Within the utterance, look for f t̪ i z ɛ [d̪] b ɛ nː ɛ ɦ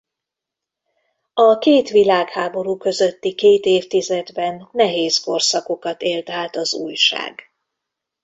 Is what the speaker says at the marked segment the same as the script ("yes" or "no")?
yes